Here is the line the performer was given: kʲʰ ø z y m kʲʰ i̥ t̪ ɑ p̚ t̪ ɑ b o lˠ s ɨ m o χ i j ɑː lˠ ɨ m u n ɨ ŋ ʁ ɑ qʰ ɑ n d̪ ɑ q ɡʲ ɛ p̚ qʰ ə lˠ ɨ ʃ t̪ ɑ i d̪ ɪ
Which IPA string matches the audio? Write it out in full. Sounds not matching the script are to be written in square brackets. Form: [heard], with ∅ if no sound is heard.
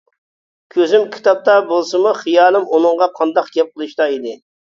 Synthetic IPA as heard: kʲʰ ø z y m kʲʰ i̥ t̪ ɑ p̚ t̪ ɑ b o lˠ s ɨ m [u] χ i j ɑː lˠ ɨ m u n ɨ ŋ ʁ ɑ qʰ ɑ n d̪ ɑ q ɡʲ ɛ p̚ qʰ ə lˠ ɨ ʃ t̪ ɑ i d̪ ɪ